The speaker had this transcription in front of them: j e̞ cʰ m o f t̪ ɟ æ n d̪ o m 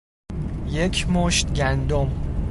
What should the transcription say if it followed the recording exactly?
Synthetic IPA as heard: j e̞ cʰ m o ʃ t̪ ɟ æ n d̪ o m